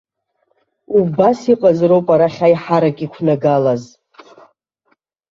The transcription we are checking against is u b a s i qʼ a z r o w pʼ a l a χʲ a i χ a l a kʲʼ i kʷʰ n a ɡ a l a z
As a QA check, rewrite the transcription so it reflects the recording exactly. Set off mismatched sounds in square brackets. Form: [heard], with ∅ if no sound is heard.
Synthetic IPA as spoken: u b a s i qʼ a z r o w pʼ a [ɾ] a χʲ a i [ħ] a [ɾ] a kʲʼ i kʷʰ n a ɡ a l a z